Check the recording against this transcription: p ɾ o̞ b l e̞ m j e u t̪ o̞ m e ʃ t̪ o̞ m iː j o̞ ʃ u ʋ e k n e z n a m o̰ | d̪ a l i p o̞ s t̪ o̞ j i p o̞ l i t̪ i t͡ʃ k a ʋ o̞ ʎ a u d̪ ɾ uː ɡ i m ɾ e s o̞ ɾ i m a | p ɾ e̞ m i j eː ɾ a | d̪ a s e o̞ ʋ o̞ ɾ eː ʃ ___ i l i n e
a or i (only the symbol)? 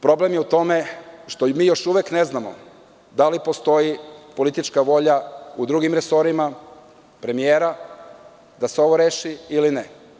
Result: i